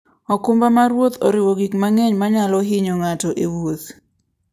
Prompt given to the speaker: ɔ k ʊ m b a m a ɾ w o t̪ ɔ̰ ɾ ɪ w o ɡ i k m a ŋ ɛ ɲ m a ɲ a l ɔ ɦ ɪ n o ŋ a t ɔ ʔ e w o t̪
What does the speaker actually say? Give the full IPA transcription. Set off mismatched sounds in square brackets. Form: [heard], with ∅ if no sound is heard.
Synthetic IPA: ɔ k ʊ m b a m a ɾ w o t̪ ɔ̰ ɾ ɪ w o ɡ i k m a ŋ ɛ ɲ m a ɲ a l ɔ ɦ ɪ [ɲ] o ŋ a t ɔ ʔ e w o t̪